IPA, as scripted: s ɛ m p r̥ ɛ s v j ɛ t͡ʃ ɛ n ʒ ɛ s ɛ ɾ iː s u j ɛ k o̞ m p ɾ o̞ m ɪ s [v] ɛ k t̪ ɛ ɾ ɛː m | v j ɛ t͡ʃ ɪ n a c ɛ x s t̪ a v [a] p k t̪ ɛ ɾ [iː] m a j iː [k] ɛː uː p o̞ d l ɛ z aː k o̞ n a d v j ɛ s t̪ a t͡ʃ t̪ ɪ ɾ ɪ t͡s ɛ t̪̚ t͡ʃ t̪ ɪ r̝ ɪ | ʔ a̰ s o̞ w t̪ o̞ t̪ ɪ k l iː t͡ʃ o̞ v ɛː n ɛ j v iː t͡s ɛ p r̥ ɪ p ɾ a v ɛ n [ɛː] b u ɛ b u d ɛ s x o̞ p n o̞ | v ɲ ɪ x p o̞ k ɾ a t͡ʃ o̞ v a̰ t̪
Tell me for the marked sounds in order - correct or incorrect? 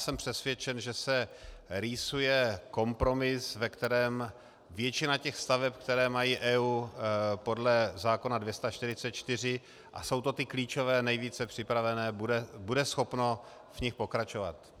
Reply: correct, incorrect, incorrect, incorrect, correct

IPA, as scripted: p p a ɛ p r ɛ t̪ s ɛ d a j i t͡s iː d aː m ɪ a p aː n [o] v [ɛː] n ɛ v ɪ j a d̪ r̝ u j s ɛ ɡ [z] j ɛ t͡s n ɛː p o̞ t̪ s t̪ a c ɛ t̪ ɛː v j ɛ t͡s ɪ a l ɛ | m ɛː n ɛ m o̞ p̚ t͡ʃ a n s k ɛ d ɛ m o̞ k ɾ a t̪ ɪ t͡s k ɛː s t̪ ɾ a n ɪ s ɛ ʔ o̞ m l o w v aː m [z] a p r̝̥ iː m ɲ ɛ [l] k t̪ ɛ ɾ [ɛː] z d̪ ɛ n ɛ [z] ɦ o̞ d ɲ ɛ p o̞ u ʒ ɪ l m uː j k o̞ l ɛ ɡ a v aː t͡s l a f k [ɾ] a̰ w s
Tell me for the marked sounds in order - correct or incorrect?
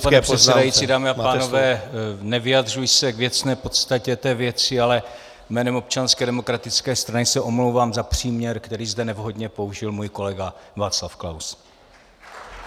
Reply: correct, correct, incorrect, correct, incorrect, incorrect, incorrect, incorrect

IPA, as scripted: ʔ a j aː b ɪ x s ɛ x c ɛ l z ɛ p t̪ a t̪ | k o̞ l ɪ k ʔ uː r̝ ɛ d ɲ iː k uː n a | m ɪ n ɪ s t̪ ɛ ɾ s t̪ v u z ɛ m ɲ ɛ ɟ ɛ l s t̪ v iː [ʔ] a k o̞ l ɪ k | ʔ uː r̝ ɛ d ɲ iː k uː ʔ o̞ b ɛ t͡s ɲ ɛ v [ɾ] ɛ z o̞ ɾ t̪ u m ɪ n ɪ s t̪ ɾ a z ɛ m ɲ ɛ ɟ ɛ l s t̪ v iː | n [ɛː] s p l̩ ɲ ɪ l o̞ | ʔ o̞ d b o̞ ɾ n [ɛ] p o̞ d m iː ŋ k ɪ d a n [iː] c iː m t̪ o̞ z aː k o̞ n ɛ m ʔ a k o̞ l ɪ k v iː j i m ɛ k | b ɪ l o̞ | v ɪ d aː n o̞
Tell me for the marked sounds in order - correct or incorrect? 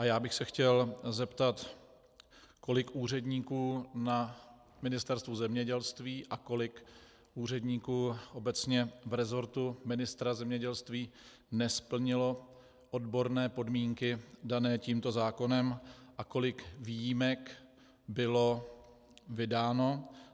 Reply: correct, correct, incorrect, incorrect, incorrect

